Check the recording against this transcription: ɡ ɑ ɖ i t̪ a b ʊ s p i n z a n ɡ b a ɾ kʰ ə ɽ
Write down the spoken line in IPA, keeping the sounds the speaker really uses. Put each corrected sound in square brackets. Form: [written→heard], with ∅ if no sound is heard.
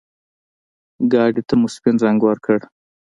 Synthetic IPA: ɡ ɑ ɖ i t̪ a [b→m] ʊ s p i n z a [n→ŋ] ɡ [b→w] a ɾ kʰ ə ɽ

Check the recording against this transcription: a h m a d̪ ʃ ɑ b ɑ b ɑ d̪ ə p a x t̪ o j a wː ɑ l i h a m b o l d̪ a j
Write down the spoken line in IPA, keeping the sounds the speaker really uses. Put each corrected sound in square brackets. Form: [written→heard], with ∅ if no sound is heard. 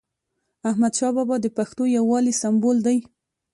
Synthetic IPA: a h m a d̪ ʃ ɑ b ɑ b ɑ d̪ ə p a x t̪ o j a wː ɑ l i [h→s] a m b o l d̪ a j

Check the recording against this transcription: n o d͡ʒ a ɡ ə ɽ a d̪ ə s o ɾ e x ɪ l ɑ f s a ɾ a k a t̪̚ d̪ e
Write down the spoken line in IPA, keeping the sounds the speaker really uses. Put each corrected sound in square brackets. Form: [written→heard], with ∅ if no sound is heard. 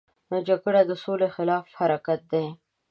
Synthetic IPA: n o d͡ʒ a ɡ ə ɽ a d̪ ə s o [ɾ→l] e x ɪ l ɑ f [s→h] a ɾ a k a t̪̚ d̪ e

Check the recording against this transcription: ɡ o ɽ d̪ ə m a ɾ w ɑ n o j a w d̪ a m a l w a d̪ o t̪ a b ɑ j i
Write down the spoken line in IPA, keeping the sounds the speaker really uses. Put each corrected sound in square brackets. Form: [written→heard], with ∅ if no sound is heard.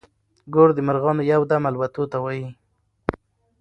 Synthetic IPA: ɡ o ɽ d̪ ə m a ɾ [w→ɣ] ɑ n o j a w d̪ a m a l w a [d̪→t̪] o t̪ a [b→w] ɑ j i

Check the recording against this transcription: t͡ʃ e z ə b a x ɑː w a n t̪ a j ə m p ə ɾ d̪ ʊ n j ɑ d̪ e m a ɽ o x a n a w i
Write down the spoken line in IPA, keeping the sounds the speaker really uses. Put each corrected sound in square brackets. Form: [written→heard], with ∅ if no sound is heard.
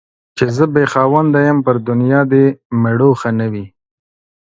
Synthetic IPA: t͡ʃ e z ə b [a→e] x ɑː w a n [t̪→d̪] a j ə m p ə ɾ d̪ ʊ n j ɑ d̪ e m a ɽ o x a n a w i

